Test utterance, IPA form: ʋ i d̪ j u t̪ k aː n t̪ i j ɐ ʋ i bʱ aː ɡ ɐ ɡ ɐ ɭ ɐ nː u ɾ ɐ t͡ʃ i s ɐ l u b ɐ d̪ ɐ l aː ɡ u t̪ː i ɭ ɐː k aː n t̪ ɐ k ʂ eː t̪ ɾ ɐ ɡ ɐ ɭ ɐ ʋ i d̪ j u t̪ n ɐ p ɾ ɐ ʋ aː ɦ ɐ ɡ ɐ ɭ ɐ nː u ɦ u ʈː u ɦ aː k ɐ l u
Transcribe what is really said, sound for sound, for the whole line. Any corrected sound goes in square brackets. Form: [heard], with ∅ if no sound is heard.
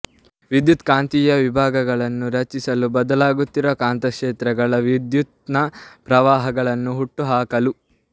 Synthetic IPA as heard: ʋ i d̪ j u t̪ k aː n t̪ i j ɐ ʋ i bʱ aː ɡ ɐ ɡ ɐ ɭ ɐ nː u ɾ ɐ t͡ʃ i s ɐ l u b ɐ d̪ ɐ l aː ɡ u t̪ː i [ɾ] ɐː k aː n t̪ ɐ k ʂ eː t̪ ɾ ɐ ɡ ɐ ɭ ɐ ʋ i d̪ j u t̪ n ɐ p ɾ ɐ ʋ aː ɦ ɐ ɡ ɐ ɭ ɐ nː u ɦ u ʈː u ɦ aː k ɐ l u